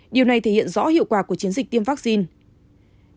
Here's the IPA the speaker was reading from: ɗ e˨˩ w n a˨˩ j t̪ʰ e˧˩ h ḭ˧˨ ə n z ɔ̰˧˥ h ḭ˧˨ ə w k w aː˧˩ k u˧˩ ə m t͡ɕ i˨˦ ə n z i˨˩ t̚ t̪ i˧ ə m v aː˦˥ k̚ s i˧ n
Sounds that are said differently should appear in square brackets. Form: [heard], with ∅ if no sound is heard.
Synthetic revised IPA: ɗ [i˨˩] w n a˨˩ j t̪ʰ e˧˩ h ḭ˧˨ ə n z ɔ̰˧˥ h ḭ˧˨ ə w k w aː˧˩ k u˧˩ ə [∅] t͡ɕ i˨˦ ə n z i˨˩ [k̚] t̪ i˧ ə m v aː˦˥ k̚ s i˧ n